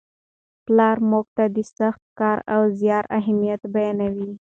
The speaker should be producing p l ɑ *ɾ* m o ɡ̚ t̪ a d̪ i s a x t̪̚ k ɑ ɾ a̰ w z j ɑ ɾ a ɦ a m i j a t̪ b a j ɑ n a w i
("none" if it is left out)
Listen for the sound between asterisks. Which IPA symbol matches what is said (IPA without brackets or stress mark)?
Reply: ɾ